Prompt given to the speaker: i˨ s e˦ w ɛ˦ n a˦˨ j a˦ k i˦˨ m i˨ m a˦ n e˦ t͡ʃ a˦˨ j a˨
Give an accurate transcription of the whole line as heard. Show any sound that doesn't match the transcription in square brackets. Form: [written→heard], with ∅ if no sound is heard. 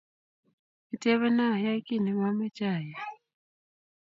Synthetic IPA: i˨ [s→t] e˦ [w→β] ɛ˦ n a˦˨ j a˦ k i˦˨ [m→n] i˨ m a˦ [n→m] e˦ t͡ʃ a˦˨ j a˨